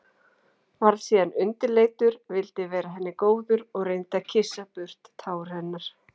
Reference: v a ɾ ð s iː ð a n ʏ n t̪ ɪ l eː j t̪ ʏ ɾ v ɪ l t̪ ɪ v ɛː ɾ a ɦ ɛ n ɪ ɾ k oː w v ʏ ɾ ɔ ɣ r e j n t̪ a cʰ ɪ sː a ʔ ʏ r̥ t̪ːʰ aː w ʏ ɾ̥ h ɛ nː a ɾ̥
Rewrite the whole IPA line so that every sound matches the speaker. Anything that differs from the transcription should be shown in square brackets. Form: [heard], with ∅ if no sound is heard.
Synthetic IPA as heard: v a ɾ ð s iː ð a n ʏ n t̪ ɪ l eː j t̪ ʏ ɾ v ɪ l t̪ ɪ v ɛː ɾ a ɦ ɛ [nː] ɪ [∅] k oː w [ð] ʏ ɾ ɔ ɣ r e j n t̪ a cʰ ɪ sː a [p] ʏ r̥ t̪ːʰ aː w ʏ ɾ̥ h ɛ nː a ɾ̥